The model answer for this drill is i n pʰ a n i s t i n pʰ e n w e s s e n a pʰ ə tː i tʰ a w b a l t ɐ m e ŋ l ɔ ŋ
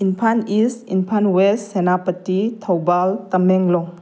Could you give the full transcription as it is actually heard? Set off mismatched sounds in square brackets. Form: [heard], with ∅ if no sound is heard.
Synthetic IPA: i n pʰ a n i s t i n pʰ [a] n w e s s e n a [p] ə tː i tʰ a w b a l t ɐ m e ŋ l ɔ ŋ